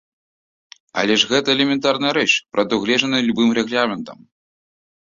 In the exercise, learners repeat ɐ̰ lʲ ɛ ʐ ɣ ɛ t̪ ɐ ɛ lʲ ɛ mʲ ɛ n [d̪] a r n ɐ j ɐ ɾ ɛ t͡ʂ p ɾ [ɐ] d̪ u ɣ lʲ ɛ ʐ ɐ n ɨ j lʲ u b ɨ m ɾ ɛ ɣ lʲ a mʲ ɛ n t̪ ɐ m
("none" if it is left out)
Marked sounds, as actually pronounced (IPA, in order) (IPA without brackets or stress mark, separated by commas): t̪, ɐ